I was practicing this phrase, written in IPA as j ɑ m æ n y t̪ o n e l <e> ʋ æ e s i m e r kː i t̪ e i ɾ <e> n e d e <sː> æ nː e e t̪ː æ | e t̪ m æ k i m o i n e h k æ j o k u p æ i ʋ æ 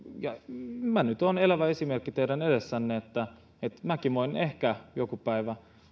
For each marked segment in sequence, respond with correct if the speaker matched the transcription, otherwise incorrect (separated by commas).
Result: incorrect, incorrect, correct